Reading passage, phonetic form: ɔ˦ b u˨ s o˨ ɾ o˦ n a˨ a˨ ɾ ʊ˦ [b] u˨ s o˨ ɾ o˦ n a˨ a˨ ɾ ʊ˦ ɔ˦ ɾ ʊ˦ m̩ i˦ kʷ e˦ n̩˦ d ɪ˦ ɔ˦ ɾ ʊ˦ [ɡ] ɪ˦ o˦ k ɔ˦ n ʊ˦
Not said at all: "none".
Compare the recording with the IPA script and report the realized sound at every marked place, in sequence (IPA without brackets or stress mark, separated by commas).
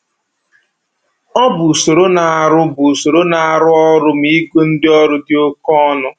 b, d